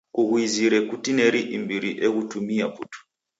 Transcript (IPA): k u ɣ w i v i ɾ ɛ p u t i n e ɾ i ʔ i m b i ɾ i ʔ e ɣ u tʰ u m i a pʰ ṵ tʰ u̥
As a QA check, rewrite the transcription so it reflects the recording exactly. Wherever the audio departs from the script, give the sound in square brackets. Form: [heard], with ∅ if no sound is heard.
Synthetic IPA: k u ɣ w i [z] i ɾ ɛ [k] u t i n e ɾ i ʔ i m b i ɾ i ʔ e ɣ u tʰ u m i a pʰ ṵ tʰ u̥